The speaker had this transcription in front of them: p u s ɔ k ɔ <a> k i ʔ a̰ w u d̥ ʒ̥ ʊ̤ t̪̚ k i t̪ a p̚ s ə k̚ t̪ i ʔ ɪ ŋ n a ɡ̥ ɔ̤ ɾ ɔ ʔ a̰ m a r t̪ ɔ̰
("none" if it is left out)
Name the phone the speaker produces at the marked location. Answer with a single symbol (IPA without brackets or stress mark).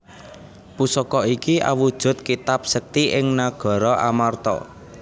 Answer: i